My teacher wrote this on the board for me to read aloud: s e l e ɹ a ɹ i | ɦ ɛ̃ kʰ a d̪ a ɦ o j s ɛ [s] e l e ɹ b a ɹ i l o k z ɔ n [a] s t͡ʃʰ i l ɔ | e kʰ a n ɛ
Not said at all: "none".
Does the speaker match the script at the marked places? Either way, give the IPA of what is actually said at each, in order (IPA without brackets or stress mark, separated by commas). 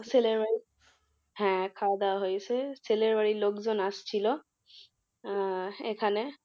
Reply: s, a